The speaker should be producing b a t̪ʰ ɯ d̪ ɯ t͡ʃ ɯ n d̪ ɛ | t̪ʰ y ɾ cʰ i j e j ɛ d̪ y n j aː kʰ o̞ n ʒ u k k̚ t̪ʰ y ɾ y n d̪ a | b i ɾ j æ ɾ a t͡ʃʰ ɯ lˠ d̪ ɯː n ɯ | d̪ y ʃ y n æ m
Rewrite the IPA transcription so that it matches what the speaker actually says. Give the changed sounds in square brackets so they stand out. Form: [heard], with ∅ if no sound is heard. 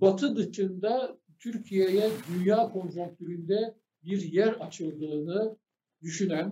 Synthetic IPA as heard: b a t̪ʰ ɯ d̪ ɯ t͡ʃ ɯ n d̪ [a] | t̪ʰ y ɾ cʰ i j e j ɛ d̪ y n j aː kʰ o̞ n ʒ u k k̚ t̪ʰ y ɾ y n d̪ [ɛ] | b i ɾ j æ ɾ a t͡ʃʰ ɯ lˠ d̪ ɯː n ɯ | d̪ y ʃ y n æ [n]